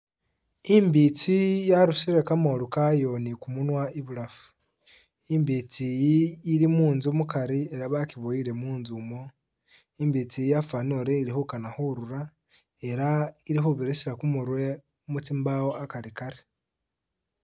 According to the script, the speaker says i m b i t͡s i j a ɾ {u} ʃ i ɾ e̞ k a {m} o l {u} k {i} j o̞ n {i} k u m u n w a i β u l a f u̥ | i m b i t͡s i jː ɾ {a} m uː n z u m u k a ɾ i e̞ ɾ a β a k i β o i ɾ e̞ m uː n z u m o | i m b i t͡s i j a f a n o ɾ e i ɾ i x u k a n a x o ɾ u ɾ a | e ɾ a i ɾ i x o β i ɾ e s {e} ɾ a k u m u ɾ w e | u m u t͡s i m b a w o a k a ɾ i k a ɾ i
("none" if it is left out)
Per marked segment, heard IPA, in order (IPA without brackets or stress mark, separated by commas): u, m, u, a, i, i, i